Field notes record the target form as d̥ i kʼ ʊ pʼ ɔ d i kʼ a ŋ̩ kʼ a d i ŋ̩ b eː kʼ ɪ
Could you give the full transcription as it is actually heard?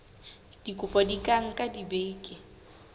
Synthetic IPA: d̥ i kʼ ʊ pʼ ɔ d i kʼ a ŋ̩ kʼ a d i b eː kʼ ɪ